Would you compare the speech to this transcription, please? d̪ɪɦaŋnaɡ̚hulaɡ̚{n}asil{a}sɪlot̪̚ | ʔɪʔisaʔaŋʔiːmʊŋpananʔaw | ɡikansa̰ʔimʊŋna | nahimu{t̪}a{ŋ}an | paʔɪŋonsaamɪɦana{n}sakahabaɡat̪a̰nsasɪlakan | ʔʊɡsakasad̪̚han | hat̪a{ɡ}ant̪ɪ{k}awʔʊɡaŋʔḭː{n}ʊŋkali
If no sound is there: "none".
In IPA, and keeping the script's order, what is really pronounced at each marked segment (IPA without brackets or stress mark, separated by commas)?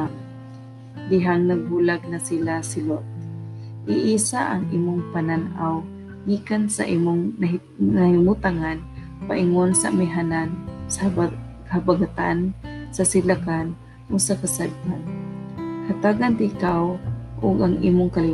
n, a, t̪, ŋ, n, ɡ, k, m